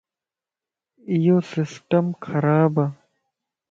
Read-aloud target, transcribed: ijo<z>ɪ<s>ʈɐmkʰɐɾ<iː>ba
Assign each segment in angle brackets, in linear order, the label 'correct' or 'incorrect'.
incorrect, correct, incorrect

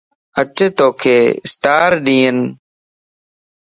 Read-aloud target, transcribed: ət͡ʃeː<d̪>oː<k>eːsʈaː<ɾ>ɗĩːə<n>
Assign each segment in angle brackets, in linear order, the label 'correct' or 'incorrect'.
incorrect, incorrect, correct, correct

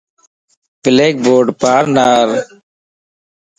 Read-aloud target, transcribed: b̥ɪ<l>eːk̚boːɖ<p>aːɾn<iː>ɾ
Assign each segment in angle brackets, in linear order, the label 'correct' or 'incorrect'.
correct, correct, incorrect

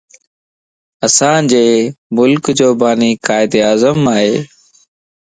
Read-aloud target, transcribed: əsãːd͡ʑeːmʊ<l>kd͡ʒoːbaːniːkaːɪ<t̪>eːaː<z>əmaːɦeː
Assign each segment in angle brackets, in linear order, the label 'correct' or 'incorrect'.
correct, incorrect, correct

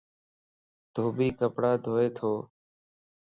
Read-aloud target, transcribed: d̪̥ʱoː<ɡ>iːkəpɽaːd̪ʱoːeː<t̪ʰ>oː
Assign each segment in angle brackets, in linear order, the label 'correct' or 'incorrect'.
incorrect, correct

